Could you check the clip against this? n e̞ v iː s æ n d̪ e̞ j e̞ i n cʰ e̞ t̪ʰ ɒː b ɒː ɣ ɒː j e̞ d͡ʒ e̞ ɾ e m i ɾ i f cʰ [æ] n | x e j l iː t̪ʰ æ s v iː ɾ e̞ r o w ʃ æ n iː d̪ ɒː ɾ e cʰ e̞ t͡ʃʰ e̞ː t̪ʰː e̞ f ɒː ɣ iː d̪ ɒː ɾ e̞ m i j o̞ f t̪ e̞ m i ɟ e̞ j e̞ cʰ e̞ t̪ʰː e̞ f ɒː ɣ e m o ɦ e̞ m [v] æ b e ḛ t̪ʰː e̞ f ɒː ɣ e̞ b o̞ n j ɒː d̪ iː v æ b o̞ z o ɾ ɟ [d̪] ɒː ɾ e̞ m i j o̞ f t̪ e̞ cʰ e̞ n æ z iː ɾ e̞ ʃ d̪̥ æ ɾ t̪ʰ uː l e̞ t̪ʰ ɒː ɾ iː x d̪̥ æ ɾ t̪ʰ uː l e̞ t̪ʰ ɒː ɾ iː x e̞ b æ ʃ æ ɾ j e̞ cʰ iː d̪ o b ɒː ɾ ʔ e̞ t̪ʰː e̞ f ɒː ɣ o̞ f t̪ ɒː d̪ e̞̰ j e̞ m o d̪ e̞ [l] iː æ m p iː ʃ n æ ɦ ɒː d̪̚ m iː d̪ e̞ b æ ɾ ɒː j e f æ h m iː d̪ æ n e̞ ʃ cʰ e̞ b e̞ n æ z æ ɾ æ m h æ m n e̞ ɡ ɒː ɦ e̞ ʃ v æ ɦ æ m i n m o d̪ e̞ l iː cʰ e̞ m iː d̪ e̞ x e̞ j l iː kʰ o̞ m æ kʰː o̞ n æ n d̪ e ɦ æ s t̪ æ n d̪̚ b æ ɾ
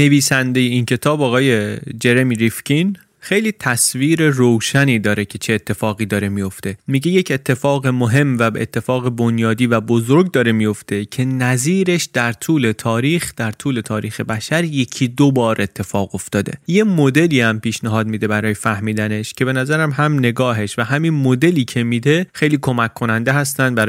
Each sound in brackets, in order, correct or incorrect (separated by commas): incorrect, correct, correct, correct